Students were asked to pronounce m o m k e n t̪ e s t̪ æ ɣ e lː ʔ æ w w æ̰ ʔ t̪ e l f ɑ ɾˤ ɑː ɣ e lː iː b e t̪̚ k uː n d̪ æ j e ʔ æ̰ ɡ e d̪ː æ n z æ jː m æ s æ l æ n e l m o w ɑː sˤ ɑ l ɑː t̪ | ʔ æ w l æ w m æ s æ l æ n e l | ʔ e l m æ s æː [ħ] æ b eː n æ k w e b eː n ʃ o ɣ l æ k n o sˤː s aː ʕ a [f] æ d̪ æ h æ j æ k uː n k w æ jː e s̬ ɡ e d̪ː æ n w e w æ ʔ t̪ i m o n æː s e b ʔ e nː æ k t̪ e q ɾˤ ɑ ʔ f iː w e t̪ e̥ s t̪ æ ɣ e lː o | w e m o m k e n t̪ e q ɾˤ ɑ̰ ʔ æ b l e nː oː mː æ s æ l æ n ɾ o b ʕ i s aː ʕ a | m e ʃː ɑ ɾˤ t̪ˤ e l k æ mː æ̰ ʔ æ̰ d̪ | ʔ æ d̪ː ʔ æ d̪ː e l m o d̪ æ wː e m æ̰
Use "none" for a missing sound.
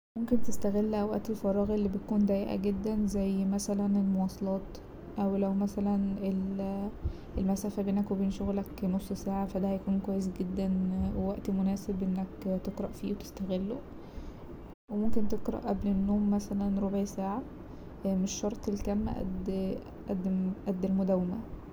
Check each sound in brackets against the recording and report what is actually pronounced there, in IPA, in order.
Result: f, f

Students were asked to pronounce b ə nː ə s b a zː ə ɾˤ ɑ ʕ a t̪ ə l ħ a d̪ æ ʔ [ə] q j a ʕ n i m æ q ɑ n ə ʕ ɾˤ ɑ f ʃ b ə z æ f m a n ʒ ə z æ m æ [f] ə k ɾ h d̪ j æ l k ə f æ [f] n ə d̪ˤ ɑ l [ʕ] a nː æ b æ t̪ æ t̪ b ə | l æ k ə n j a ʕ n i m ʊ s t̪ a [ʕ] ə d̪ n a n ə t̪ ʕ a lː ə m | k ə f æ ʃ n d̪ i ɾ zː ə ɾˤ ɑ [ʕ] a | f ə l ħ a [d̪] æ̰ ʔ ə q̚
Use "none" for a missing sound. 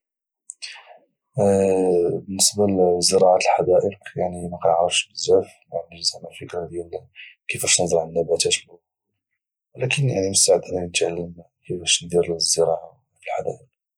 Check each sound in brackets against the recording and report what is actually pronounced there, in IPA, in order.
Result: ə, f, ʃ, ʕ, ʕ, ʕ, d̪

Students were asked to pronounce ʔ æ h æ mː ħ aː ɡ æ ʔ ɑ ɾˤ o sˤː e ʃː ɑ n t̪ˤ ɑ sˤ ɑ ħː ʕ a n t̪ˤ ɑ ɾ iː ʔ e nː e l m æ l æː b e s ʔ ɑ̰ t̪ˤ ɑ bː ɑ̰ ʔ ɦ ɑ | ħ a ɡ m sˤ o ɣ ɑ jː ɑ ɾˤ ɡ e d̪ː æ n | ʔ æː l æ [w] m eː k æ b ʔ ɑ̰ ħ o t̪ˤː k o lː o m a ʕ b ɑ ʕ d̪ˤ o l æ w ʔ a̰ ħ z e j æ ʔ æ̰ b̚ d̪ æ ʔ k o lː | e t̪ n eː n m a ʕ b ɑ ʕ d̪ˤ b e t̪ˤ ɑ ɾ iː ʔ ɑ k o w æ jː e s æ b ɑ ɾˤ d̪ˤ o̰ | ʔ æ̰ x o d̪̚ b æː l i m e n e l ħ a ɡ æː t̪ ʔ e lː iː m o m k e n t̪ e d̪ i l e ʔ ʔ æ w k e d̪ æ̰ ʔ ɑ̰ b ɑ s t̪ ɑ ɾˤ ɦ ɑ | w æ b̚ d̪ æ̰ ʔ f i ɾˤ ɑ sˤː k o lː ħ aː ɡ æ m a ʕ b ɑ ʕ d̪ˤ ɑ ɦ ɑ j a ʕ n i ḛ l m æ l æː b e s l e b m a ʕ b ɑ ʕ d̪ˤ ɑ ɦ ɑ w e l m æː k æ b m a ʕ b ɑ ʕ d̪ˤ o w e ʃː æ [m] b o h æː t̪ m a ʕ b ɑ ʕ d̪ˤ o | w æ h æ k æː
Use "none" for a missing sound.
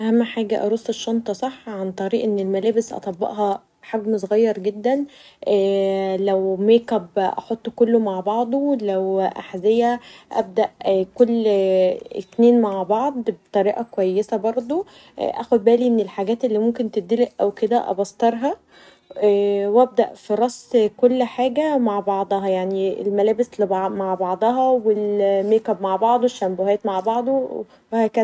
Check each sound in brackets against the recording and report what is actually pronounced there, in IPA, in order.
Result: w, m

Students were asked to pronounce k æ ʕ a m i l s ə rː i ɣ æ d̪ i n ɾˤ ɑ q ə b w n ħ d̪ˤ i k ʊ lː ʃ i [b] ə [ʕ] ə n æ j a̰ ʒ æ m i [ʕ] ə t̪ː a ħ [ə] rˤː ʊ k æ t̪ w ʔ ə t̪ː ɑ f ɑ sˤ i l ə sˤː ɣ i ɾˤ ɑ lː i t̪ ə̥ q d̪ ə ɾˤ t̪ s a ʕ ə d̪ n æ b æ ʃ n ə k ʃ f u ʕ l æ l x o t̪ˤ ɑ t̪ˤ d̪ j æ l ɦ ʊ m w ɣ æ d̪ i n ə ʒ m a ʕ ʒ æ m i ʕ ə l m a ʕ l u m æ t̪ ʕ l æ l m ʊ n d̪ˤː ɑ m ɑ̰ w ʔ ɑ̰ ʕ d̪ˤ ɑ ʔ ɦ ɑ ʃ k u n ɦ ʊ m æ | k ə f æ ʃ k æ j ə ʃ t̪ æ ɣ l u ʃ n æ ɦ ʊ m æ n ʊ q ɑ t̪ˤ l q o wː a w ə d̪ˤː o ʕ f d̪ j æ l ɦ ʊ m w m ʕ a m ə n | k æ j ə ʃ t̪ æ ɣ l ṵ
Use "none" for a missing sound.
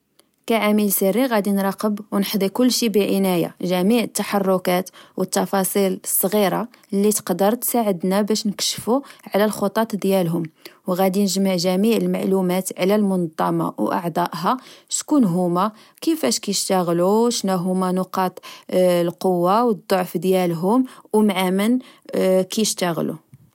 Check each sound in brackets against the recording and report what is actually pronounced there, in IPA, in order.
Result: b, ʕ, ʕ, ɑ

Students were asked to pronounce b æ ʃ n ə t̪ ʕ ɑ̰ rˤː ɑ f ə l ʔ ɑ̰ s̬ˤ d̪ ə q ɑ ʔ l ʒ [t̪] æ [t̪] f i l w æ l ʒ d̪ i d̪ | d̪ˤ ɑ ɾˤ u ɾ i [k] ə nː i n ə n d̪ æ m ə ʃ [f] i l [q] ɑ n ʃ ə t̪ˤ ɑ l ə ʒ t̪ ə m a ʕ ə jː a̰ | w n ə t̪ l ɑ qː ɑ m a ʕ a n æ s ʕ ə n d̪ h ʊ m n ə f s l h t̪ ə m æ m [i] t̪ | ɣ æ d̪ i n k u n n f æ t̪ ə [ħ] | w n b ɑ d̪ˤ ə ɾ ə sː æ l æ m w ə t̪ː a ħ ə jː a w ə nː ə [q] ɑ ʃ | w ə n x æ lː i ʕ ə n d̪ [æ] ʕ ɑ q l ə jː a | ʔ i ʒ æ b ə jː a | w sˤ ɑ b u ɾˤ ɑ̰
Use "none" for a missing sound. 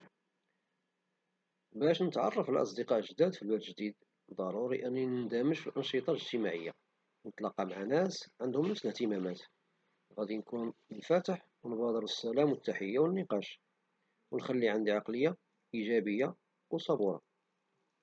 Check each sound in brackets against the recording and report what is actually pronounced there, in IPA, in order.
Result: d̪, d̪, ʔ, f, ʔ, æ, ħ, q, i

